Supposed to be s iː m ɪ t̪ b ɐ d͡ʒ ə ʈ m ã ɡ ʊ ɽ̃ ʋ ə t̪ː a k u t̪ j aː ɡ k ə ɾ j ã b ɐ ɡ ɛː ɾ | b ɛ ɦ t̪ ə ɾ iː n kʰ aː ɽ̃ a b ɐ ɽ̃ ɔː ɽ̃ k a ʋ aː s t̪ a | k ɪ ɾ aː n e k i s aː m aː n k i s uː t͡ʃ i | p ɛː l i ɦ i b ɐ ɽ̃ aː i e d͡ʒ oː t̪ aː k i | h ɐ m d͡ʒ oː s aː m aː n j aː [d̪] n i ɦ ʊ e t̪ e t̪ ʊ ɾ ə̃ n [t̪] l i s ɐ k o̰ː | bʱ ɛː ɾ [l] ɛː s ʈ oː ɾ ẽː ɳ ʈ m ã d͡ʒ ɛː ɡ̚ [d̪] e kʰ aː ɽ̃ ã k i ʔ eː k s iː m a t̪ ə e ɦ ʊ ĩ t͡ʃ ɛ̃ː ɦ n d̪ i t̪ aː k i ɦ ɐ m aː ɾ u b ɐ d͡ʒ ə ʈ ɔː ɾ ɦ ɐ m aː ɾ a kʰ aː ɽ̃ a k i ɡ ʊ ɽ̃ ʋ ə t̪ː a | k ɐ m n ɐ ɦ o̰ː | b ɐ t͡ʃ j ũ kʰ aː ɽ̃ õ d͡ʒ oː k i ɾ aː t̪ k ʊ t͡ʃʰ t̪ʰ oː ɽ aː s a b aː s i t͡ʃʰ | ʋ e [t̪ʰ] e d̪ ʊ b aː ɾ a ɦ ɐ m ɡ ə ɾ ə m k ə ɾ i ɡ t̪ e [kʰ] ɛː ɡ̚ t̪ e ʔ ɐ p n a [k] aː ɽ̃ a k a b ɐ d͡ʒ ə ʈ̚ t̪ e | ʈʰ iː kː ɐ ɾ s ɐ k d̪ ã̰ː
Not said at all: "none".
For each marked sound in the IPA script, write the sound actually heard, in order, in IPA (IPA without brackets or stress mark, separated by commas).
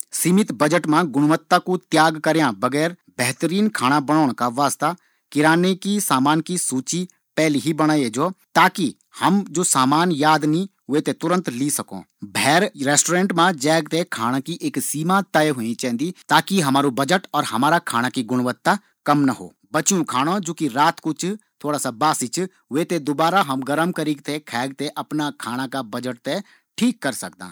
d̪, t̪, ɾ, t̪, t̪, kʰ, kʰ